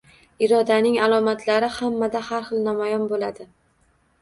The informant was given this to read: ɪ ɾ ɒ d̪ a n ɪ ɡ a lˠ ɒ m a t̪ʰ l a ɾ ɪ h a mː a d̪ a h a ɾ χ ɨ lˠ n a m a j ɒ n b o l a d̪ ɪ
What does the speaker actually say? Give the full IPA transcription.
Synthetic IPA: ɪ ɾ ɒ d̪ a n ɪ ŋ a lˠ ɒ m a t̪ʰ l a ɾ ɪ h a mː a d̪ a h a ɾ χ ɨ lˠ n a m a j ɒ n b o l a d̪ ɪ